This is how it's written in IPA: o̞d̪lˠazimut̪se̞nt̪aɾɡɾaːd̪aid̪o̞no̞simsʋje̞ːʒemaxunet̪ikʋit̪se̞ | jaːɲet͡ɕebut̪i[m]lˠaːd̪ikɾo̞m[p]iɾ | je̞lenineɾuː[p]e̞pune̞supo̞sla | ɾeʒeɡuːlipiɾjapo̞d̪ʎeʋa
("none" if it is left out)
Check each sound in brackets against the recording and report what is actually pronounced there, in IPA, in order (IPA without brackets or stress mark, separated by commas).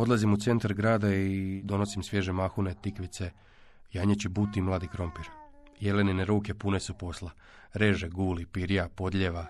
m, p, k